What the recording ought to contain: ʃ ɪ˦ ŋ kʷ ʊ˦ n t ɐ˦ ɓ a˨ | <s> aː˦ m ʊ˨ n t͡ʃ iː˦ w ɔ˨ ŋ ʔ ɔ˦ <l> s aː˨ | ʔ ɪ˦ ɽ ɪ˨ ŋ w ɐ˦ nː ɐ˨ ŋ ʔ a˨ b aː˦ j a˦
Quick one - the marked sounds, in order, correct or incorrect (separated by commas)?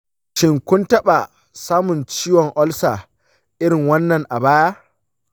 correct, correct